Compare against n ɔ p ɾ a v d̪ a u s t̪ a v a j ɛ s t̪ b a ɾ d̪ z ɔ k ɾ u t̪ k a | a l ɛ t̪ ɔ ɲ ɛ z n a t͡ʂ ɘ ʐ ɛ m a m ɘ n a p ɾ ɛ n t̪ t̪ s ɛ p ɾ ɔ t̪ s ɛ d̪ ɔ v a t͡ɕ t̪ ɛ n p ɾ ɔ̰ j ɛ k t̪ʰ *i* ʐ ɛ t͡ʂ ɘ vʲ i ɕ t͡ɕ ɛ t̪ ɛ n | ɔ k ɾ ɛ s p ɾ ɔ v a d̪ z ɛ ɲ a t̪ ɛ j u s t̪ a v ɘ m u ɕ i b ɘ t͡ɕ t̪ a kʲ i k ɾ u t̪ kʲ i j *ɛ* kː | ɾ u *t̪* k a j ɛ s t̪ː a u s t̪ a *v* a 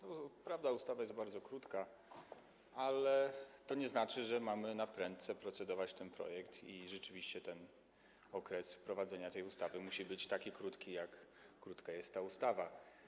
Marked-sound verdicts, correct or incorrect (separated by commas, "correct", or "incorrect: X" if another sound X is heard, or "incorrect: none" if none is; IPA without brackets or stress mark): correct, incorrect: a, correct, correct